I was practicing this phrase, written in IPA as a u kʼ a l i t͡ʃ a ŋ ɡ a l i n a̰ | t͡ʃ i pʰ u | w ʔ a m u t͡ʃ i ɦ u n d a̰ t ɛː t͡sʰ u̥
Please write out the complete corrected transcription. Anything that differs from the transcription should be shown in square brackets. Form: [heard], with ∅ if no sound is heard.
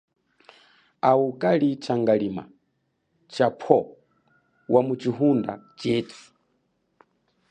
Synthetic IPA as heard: a u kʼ a l i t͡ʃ a ŋ ɡ a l i [m] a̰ | t͡ʃ [a] pʰ [ɔ] | w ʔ a m u t͡ʃ i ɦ u n d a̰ [t͡ʃ] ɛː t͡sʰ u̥

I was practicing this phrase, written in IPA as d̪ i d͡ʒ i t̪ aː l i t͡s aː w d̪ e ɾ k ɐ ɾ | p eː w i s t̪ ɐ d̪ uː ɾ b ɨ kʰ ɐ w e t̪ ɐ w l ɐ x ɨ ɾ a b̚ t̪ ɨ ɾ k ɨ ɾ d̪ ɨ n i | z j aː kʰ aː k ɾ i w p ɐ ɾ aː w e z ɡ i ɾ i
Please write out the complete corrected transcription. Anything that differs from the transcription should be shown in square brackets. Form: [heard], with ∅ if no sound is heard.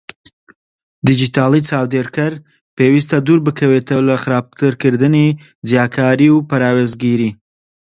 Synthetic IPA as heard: d̪ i d͡ʒ i t̪ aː l i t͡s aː w d̪ e ɾ k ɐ ɾ | p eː w i s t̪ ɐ d̪ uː ɾ b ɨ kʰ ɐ w e t̪ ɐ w l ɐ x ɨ ɾ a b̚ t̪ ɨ ɾ k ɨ ɾ d̪ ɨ n i | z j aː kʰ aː [∅] ɾ i w p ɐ ɾ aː w e z ɡ i ɾ i

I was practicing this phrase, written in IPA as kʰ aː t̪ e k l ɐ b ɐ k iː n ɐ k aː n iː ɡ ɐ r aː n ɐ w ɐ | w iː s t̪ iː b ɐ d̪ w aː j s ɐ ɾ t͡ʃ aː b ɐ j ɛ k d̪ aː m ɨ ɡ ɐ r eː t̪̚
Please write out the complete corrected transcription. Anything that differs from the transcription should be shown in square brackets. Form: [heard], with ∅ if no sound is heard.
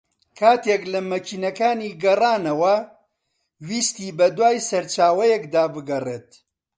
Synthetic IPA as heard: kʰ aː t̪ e k l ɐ [m] ɐ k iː n ɐ k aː n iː ɡ ɐ r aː n ɐ w ɐ | w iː s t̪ iː b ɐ d̪ w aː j s ɐ ɾ t͡ʃ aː [w] ɐ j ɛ k d̪ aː [b] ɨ ɡ ɐ r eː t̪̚

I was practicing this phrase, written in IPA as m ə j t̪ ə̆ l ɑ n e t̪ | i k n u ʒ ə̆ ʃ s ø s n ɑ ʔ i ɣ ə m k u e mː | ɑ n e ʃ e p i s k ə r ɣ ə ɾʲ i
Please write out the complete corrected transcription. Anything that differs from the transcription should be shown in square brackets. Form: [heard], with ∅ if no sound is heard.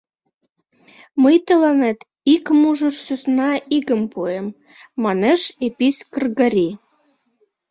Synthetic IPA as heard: m ə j t̪ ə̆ l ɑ n e t̪ | i k [m] u ʒ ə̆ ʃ s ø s n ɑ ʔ i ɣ ə m [p] u e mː | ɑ n e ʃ e p i s k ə r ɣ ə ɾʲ i

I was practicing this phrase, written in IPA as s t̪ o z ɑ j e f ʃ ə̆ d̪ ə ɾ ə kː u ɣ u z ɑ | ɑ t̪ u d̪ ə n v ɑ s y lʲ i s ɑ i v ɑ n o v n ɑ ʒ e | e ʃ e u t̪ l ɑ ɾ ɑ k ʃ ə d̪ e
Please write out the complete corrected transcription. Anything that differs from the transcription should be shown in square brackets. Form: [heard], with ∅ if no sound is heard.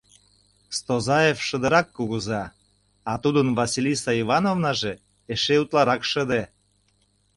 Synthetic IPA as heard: s t̪ o z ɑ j e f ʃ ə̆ d̪ ə ɾ [ɑ] kː u ɣ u z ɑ | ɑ t̪ u d̪ ə n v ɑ s [i] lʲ i s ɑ i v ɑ n o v n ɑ ʒ e | e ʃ e u t̪ l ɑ ɾ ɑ k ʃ ə d̪ e

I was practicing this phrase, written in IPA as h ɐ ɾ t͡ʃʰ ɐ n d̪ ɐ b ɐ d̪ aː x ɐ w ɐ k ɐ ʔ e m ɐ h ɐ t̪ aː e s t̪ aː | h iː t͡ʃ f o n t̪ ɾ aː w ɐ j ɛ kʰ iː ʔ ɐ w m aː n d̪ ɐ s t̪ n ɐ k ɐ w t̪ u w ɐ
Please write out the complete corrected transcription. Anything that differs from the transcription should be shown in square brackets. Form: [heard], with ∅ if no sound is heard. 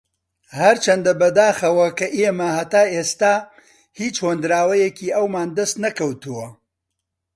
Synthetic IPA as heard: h ɐ ɾ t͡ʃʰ ɐ n d̪ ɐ b ɐ d̪ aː x ɐ w ɐ k ɐ ʔ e m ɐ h ɐ t̪ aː e s t̪ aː | h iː t͡ʃ [h] o n [d̪] ɾ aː w ɐ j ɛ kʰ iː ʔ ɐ w m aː n d̪ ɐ s t̪ n ɐ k ɐ w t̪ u w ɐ

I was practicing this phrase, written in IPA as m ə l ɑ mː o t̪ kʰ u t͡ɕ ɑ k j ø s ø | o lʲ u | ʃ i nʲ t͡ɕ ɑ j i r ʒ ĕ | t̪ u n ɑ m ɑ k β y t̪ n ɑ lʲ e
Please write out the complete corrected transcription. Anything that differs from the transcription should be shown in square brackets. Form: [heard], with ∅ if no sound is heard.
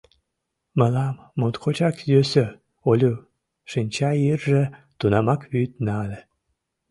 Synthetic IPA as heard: m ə l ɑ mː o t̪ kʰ [o] t͡ɕ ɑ k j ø s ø | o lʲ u | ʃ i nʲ t͡ɕ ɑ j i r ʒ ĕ | t̪ u n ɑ m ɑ k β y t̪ n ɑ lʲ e

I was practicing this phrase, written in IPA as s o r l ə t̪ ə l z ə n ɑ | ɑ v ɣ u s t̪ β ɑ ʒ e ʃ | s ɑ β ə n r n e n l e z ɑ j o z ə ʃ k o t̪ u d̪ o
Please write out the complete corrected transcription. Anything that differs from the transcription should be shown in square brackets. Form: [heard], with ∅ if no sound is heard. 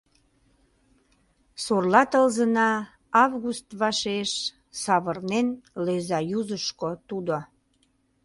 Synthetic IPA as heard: s o r l [ɑ] t̪ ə l z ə n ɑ | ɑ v ɣ u s t̪ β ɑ [ʃ] e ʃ | s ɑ β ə [∅] r n e n l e z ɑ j [u] z ə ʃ k o t̪ u d̪ o

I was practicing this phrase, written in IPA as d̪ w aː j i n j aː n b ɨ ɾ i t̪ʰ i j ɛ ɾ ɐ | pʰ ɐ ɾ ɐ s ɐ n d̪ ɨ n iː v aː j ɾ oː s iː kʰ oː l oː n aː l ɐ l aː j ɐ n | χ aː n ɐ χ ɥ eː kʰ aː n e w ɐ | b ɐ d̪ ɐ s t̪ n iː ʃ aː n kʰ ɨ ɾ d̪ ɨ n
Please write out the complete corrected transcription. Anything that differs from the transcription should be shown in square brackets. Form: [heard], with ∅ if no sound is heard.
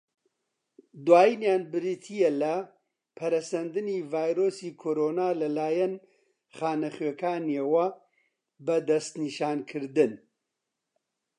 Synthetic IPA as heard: d̪ w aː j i n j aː n b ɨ ɾ i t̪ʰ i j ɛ [l] ɐ | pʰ ɐ ɾ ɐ s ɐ n d̪ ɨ n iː v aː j ɾ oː s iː kʰ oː [ɾ] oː n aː l ɐ l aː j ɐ n | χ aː n ɐ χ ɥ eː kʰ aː n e w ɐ | b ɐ d̪ ɐ s t̪ n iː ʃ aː n kʰ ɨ ɾ d̪ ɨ n

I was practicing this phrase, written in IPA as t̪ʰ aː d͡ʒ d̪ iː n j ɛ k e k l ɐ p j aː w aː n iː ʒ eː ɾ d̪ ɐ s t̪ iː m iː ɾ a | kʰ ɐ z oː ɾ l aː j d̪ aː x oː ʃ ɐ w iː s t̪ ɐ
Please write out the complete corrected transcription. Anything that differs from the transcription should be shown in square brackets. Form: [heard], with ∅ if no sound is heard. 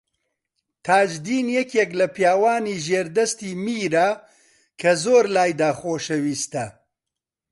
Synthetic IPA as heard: t̪ʰ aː d͡ʒ d̪ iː n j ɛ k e k l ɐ p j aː w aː n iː ʒ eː ɾ d̪ ɐ s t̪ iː m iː ɾ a | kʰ ɐ z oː ɾ l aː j d̪ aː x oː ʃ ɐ w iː s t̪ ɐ

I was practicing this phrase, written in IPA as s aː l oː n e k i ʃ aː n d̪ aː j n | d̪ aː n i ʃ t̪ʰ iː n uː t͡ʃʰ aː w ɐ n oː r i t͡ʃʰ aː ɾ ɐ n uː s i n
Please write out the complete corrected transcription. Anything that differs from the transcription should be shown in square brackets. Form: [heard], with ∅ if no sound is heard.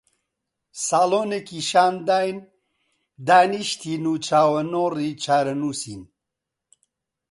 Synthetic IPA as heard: s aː l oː n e k i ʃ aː n d̪ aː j n | d̪ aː n i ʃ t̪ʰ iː n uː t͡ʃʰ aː w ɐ n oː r i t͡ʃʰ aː ɾ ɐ n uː s i n

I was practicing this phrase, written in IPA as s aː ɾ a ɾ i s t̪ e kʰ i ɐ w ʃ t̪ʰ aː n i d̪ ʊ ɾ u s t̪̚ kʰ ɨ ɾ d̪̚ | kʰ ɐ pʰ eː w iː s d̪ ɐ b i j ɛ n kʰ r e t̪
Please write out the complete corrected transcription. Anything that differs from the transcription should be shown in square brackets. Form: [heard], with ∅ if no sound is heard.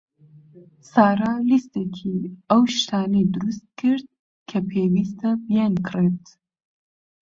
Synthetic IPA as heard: s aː ɾ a [l] i s t̪ e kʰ i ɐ w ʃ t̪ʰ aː n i d̪ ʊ ɾ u s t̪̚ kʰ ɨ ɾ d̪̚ | kʰ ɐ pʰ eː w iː s [t̪] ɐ b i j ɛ n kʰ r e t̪

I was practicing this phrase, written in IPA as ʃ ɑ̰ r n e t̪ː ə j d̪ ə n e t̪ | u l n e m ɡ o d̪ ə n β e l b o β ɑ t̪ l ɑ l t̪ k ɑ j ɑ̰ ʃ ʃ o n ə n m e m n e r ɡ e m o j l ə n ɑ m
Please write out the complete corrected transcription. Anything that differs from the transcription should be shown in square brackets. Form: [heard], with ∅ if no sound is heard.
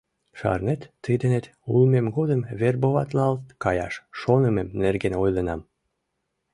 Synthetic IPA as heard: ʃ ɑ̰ r n e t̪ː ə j d̪ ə n e t̪ | u l [m] e m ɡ o d̪ ə [m] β e [r] b o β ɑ t̪ l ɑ l t̪ k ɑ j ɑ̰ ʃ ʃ o n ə [∅] m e m n e r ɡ e [n] o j l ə n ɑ m

